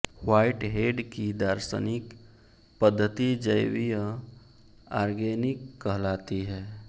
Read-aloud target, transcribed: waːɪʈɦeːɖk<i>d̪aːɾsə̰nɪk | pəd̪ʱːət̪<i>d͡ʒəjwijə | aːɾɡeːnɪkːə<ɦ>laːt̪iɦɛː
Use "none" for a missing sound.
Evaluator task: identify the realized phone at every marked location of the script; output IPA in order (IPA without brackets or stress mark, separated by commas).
i, i, ɦ